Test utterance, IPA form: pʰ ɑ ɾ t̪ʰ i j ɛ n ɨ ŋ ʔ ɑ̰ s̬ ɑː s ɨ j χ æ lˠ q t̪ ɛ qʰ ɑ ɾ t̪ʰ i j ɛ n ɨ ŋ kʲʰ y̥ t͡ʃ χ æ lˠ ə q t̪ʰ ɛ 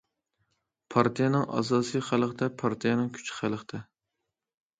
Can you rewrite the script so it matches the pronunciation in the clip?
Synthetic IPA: pʰ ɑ ɾ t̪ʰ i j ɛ n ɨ ŋ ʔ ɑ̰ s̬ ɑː s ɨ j χ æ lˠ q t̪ ɛ pʰ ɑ ɾ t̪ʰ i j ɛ n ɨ ŋ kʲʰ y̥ t͡ʃ χ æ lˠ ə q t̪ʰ ɛ